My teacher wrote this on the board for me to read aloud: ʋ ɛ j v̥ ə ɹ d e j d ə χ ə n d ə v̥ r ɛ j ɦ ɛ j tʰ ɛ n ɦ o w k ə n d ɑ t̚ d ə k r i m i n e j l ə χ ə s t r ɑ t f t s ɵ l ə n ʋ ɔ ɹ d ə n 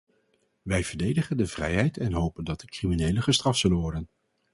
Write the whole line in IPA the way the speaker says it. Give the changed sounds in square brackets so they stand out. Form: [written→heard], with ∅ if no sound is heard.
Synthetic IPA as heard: ʋ ɛ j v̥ ə ɹ d e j d ə χ ə n d ə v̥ r ɛ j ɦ ɛ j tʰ ɛ n ɦ o w [k→p] ə n d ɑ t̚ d ə k r i m i n e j l ə χ ə s t r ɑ [t→∅] f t s ɵ l ə n ʋ ɔ ɹ d ə n